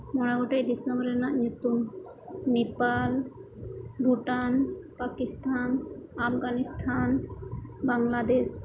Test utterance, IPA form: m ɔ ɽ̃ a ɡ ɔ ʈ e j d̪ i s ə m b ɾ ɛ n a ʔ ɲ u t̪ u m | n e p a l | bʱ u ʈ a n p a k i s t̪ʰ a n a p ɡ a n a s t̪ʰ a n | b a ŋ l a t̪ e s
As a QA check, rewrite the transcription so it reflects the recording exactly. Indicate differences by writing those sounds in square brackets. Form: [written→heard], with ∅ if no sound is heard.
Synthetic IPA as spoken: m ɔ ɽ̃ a ɡ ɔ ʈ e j d̪ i s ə m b ɾ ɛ n a ʔ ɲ u t̪ u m | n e p a l | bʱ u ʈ a n p a k i s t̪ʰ a n a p ɡ a n [a→i] s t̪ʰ a n | b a ŋ l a [t̪→d̪] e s